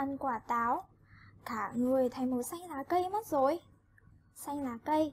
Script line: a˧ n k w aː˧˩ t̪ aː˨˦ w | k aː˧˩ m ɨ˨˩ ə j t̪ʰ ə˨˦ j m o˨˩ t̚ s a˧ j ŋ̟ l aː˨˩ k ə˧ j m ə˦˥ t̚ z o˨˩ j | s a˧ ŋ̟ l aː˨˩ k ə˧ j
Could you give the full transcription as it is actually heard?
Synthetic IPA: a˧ n k w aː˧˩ t̪ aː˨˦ w | k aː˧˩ ŋ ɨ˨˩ ə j t̪ʰ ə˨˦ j m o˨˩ t̚ s a˧ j ŋ̟ l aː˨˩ k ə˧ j m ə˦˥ t̚ z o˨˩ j | s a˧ ŋ̟ l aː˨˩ k ə˧ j